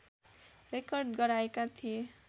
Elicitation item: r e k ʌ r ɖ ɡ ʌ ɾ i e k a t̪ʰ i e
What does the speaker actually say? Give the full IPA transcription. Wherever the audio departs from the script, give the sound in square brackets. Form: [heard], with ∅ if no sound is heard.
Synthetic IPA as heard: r e k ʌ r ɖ ɡ ʌ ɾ [a] e k a t̪ʰ i e